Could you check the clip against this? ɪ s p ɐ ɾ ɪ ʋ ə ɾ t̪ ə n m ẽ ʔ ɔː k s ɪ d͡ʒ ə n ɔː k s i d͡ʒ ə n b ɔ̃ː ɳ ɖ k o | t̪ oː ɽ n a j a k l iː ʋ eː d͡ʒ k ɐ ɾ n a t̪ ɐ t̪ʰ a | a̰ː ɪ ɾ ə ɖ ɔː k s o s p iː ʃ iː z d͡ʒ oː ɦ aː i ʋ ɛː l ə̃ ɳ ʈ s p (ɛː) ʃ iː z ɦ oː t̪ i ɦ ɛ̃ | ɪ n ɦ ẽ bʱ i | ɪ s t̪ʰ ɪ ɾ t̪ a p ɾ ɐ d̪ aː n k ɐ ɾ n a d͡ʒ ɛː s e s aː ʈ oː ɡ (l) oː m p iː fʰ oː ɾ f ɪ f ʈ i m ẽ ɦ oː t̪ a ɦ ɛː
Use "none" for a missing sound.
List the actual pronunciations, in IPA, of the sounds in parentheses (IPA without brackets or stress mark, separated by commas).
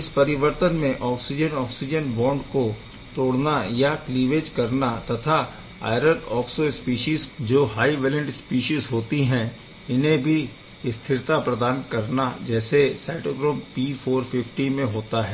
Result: iː, ɾ